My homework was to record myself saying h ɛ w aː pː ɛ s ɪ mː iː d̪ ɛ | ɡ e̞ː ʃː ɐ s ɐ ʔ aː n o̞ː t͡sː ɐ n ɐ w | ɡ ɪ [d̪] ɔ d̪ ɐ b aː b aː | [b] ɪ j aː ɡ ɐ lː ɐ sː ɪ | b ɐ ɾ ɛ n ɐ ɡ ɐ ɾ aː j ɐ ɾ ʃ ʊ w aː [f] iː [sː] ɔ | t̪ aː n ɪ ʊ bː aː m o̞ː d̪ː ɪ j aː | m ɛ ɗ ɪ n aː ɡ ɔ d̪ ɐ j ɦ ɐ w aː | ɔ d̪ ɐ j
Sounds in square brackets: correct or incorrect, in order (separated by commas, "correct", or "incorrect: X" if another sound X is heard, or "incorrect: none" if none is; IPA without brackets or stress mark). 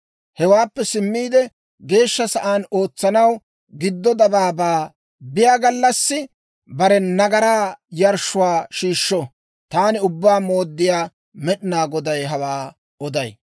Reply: incorrect: d̪ː, correct, incorrect: ʃ, incorrect: ʃː